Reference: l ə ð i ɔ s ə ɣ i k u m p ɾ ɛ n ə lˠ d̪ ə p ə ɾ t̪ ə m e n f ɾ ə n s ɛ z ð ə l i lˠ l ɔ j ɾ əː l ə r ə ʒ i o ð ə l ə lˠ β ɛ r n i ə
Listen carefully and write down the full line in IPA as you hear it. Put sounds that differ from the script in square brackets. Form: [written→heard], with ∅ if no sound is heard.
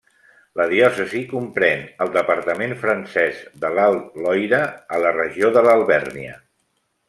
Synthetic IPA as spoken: l ə ð i ɔ s ə [ɣ→z] i k u m p ɾ ɛ n ə lˠ d̪ ə p ə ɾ t̪ ə m e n f ɾ ə n s ɛ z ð ə l [i→a] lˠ l ɔ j ɾ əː l ə r ə ʒ i o ð ə l ə lˠ β ɛ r n i ə